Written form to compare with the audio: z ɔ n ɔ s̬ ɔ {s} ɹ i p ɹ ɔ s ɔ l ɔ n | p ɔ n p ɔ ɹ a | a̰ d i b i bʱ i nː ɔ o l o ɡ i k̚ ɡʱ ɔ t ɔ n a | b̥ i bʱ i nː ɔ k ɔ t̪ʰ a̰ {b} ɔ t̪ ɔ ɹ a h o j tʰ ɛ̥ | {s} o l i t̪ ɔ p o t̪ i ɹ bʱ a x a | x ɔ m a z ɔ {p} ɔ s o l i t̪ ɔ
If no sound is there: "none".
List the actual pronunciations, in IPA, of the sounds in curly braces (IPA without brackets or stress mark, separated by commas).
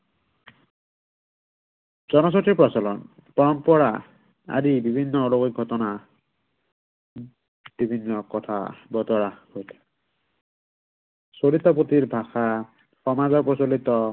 t, b, s, p